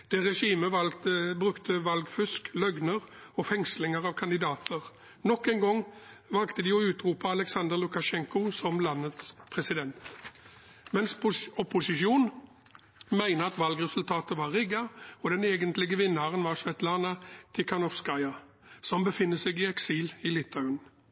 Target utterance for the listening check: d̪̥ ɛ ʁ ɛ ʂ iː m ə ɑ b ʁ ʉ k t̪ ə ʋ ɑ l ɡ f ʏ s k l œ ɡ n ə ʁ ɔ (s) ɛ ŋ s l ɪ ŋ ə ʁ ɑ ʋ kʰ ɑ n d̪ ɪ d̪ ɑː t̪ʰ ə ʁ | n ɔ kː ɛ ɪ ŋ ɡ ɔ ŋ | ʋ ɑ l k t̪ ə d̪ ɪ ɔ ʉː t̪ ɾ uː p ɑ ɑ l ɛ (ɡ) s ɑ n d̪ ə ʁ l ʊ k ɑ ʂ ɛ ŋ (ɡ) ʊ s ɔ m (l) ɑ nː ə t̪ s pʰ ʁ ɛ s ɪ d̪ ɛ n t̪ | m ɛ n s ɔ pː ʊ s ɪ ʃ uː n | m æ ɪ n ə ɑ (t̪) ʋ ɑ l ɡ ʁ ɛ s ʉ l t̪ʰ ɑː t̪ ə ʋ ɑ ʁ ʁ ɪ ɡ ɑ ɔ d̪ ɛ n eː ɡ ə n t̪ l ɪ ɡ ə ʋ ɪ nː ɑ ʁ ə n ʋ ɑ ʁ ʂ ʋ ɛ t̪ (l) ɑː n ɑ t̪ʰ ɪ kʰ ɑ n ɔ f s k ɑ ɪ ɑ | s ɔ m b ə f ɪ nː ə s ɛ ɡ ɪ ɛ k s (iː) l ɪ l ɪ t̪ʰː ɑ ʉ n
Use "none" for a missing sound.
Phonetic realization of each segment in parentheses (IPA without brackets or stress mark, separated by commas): f, k, k, l, t̪, l, iː